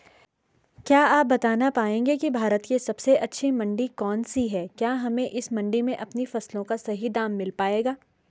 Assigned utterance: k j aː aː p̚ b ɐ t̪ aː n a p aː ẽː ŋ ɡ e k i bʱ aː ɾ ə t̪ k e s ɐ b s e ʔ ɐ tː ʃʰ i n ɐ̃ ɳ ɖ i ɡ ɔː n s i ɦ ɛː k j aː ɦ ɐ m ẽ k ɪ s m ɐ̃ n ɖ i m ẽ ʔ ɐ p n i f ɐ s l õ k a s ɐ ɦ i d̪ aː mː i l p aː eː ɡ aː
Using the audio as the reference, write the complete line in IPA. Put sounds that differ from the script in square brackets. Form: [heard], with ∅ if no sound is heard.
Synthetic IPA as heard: k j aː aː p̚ b ɐ t̪ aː n a p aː ẽː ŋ ɡ e k i bʱ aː ɾ ə t̪ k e s ɐ b s e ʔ ɐ tː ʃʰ i [m] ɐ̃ ɳ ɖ i [k] ɔː n s i ɦ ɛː k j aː ɦ ɐ m ẽ [ʔ] ɪ s m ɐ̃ [ɳ] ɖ i m ẽ ʔ ɐ p n i f ɐ s l õ k a s ɐ ɦ i d̪ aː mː [ɪ] l p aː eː ɡ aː